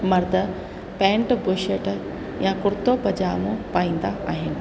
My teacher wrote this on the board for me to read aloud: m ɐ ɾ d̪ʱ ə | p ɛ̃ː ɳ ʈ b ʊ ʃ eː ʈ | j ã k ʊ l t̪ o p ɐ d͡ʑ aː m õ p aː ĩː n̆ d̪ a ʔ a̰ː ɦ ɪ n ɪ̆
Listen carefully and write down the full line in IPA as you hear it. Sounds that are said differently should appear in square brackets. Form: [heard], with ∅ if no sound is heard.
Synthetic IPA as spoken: m ɐ ɾ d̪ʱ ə | p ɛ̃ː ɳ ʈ b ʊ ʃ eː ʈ | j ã k ʊ [ɾ] t̪ o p ɐ d͡ʑ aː m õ p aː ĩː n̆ d̪ a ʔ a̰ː ɦ ɪ n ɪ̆